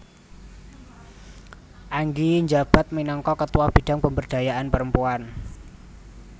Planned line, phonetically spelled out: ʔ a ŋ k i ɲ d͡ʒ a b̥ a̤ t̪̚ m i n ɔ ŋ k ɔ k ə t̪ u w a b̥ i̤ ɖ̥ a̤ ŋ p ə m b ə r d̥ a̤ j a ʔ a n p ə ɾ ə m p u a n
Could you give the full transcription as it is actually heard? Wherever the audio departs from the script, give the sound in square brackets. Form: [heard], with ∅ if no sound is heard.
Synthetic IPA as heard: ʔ a ŋ [ɡ] i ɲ d͡ʒ a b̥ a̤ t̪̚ m i n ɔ ŋ k ɔ k ə t̪ u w a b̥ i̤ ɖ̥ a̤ ŋ p ə m b ə r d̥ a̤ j a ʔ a n p ə ɾ ə m p u a n

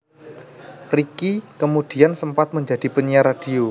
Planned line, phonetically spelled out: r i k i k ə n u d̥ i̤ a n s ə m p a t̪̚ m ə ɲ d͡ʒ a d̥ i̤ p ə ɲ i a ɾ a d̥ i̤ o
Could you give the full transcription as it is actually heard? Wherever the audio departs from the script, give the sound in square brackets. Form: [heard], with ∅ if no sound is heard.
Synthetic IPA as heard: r i k i k ə [m] u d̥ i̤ a n s ə m p a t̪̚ m ə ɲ d͡ʒ a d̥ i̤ p ə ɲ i a ɾ a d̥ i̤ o

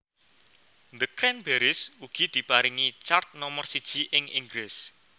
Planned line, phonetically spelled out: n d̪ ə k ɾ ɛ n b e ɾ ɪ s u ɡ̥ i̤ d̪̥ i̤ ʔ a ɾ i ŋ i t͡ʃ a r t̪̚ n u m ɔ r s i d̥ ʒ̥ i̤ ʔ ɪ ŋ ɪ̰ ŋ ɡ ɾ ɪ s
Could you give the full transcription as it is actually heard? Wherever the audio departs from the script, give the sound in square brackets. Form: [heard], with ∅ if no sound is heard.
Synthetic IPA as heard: n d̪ ə k ɾ ɛ n b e ɾ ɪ s u ɡ̥ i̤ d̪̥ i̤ [p] a ɾ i ŋ i t͡ʃ a r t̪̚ n [ɔ] m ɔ r s i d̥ ʒ̥ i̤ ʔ ɪ ŋ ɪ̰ ŋ ɡ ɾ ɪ s

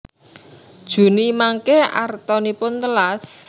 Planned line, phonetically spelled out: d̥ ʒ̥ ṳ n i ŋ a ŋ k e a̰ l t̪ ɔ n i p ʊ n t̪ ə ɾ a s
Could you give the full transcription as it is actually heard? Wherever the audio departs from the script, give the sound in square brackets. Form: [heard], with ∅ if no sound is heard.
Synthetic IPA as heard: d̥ ʒ̥ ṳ n i [m] a ŋ k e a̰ [r] t̪ ɔ n i p ʊ n t̪ ə [l] a s

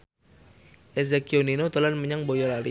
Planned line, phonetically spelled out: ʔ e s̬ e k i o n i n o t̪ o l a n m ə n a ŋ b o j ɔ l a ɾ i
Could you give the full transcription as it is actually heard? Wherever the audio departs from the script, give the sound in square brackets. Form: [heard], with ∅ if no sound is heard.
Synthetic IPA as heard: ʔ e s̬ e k i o n i n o t̪ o l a n m ə [ɲ] a ŋ b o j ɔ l a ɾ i

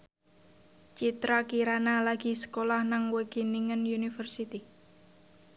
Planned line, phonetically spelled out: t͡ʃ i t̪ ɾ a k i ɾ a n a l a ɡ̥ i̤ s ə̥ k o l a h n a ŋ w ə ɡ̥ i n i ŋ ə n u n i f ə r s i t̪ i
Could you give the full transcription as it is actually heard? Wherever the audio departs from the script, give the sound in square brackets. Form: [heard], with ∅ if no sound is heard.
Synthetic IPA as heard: t͡ʃ i t̪ ɾ a k i ɾ a n a l a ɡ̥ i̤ s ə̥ k o l a h n a ŋ w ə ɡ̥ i n i ŋ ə n u n i f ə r s i t̪ i

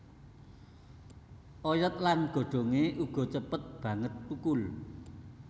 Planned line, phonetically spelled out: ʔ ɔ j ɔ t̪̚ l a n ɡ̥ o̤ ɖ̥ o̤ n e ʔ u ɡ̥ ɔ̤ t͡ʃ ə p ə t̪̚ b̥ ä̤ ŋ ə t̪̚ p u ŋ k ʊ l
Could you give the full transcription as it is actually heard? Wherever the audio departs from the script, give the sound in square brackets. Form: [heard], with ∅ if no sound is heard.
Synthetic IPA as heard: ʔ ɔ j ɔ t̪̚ l a n ɡ̥ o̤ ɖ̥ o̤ [ŋ] e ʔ u ɡ̥ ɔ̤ t͡ʃ ə p ə t̪̚ b̥ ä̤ ŋ ə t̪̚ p u [∅] k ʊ l

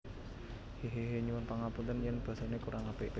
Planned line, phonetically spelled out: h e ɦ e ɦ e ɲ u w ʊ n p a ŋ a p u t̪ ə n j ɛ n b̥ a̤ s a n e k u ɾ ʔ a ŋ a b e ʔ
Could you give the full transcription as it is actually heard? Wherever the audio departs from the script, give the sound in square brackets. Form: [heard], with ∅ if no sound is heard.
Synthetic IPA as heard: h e ɦ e ɦ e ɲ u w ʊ n p a ŋ a p u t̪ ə n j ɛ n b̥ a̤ s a n e k u ɾ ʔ a ŋ a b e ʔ

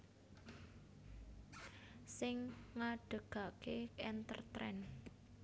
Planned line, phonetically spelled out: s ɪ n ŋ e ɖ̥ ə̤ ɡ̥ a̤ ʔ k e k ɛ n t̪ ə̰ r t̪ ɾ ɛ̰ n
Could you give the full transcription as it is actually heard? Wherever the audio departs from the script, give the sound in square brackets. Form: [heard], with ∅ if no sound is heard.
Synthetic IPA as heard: s ɪ [ŋ] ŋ [a] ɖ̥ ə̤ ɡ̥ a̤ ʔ k e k ɛ n t̪ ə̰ r t̪ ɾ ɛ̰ n

